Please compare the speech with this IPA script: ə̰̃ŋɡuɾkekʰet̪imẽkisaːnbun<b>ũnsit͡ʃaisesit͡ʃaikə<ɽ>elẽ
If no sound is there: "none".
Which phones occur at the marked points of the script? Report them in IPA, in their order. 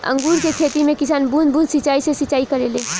b, ɾ

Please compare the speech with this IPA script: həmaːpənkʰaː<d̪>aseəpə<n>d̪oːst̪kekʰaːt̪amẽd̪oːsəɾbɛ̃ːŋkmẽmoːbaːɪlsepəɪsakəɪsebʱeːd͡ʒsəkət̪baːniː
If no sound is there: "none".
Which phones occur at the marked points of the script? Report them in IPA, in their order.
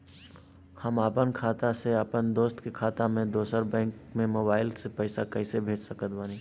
t̪, n

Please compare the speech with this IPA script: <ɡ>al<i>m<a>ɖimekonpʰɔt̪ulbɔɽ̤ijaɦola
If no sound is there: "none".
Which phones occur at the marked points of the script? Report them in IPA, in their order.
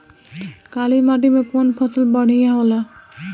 k, i, a

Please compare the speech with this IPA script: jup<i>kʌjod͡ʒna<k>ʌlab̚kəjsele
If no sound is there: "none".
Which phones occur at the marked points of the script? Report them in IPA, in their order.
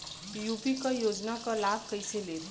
i, k

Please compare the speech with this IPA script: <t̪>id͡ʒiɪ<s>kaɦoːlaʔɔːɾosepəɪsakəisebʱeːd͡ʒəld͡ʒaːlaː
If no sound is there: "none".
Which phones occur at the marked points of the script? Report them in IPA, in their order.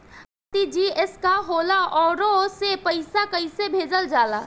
t̪, s

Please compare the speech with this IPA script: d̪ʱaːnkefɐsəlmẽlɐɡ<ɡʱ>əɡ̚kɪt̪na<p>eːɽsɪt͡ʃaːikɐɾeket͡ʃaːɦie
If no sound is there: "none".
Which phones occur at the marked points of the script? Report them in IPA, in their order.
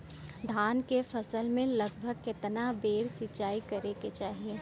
bʱ, b

